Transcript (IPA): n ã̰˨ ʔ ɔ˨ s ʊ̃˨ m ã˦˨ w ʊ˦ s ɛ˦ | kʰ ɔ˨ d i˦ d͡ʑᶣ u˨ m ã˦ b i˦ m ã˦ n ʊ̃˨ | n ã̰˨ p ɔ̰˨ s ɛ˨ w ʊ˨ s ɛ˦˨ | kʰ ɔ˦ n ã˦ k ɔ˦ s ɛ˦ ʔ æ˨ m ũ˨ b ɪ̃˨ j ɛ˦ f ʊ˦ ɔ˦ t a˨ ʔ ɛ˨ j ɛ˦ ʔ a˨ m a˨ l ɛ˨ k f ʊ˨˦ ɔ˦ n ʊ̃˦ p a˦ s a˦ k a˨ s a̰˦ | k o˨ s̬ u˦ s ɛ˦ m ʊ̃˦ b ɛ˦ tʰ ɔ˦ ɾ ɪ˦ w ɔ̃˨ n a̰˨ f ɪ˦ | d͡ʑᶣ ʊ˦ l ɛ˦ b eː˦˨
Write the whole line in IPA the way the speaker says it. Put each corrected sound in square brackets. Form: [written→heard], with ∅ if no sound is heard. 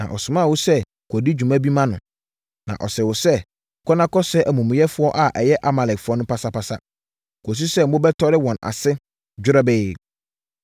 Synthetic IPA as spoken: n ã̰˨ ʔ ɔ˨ s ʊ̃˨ m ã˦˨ w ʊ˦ s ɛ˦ | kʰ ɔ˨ d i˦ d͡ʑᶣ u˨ m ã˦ b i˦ m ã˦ n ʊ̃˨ | n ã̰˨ [p→ʔ] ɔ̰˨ s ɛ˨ w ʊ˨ s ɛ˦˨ | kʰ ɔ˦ n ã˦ k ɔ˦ s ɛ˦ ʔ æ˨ m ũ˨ [b→m] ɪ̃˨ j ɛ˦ f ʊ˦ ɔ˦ [t→ʔ] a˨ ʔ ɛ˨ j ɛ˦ ʔ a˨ m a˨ l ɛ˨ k f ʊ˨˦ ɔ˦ n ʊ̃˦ p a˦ s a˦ [k→p] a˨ s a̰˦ | k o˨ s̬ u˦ s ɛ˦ m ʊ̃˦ b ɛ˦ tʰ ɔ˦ ɾ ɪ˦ w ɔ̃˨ n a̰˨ [f→s] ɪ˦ | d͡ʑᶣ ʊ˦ [l→ɾ] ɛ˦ b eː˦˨

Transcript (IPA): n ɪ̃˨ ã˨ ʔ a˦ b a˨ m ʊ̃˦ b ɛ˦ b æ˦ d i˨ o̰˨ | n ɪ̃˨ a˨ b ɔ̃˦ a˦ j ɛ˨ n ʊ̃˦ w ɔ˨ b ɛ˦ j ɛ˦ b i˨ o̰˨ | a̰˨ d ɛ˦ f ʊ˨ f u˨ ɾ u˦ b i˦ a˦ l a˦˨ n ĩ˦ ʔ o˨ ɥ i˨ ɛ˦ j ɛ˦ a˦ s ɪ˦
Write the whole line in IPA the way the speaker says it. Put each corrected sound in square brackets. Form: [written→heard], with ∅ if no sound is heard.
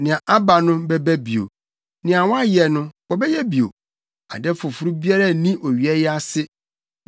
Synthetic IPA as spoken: n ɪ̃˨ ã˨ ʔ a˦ b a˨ [m→n] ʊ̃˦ b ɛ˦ b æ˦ [d→b] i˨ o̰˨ | n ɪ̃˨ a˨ [b→w] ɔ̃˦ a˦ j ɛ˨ n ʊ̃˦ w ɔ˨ b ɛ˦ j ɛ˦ b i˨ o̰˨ | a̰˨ d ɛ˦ f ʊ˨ f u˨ ɾ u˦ b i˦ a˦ [l→ɾ] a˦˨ n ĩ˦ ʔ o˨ ɥ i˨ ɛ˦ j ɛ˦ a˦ s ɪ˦

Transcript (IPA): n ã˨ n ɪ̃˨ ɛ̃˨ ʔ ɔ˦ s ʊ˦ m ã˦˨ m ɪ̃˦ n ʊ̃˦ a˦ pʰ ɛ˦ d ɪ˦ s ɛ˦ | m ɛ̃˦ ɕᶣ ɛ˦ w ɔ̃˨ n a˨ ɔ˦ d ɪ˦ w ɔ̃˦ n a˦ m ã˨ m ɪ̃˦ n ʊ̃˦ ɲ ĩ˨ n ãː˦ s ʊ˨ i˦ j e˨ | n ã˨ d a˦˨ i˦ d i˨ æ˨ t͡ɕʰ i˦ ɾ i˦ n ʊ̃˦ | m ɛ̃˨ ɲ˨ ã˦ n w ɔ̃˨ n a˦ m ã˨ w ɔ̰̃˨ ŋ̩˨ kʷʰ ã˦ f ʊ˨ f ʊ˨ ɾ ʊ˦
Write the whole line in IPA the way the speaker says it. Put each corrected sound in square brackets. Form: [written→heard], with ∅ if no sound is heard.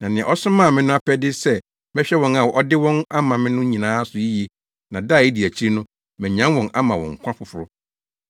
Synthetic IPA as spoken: n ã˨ n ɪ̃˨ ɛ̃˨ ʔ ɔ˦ s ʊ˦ m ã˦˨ m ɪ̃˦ n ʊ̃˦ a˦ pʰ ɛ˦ d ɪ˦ s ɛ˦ | m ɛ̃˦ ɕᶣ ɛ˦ w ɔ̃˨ n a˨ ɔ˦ d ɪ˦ w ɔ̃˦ n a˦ m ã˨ m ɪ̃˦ n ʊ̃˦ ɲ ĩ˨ n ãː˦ s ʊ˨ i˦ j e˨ | n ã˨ d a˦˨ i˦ d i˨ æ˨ t͡ɕʰ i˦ ɾ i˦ n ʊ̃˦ | m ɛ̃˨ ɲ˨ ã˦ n w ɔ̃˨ n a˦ m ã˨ w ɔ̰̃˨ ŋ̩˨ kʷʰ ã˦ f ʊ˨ f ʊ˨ ɾ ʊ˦

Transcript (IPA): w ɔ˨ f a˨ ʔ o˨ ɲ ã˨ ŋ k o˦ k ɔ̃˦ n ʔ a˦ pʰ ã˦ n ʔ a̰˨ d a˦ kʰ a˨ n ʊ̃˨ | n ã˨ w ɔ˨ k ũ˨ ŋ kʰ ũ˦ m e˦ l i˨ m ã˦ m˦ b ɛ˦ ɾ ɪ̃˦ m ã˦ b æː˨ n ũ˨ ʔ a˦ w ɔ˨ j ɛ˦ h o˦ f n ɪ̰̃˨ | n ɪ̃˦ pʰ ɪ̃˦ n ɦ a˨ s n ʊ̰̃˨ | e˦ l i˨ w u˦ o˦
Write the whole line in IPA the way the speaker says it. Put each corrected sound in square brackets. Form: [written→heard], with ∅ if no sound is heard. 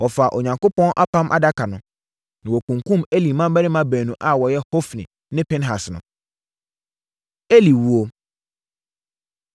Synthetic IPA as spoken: w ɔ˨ f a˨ ʔ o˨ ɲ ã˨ ŋ k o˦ [k→p] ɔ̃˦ n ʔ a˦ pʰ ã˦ [n→m] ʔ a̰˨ d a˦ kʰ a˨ n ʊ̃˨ | n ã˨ w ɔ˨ k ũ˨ ŋ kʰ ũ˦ m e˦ l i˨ m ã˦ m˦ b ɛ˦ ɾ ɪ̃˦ m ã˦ b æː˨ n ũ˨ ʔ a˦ w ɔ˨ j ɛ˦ h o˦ f n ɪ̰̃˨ | n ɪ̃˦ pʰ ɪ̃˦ n ɦ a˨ s n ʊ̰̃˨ | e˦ l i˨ w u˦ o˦

